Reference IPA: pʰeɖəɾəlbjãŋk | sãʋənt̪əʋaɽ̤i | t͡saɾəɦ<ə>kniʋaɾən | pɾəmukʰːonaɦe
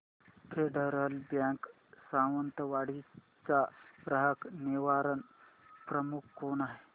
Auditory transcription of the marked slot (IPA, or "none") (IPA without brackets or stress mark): ə